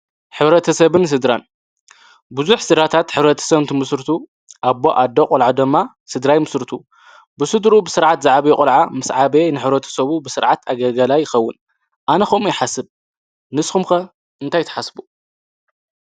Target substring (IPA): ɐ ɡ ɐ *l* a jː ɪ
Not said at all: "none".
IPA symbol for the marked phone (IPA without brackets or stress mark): l